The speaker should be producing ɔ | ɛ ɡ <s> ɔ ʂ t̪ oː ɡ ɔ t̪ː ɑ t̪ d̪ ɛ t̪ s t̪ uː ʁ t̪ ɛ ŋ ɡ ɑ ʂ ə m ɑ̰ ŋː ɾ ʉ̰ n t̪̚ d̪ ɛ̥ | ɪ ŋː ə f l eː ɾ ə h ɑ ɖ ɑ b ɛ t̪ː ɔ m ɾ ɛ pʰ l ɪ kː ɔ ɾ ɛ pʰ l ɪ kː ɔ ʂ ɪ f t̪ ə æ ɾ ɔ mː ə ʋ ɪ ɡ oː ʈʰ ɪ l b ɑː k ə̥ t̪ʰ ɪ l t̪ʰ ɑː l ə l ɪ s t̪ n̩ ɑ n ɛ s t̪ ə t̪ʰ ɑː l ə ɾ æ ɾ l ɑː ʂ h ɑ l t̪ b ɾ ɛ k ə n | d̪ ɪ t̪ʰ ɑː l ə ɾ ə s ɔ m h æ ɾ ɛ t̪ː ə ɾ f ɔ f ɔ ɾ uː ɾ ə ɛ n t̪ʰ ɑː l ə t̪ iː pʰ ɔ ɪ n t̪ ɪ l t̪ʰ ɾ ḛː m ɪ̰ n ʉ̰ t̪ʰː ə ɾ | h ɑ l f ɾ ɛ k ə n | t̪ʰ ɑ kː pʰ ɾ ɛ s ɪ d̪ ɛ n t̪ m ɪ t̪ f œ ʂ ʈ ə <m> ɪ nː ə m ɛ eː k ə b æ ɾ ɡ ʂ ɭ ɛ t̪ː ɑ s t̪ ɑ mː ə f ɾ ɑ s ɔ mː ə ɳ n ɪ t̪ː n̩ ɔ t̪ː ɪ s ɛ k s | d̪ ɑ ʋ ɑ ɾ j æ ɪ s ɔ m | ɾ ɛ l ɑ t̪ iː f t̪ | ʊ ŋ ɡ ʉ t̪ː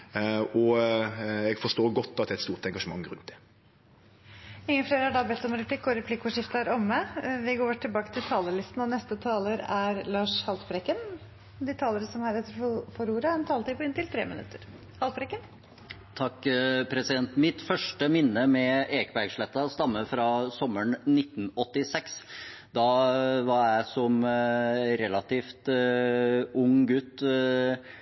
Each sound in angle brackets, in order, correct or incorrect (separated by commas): incorrect, correct